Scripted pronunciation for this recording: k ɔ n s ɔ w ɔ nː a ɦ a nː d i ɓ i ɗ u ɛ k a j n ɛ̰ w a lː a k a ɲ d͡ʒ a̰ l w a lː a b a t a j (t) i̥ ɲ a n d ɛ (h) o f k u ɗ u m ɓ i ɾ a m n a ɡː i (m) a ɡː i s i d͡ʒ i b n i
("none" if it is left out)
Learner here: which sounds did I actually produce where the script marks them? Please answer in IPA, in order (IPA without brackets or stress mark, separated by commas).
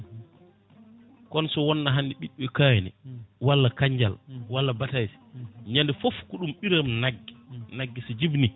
s, f, n